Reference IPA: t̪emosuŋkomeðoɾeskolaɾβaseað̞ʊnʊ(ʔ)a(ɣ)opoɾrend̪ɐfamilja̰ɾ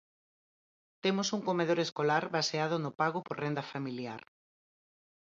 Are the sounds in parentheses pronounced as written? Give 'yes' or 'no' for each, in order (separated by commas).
no, yes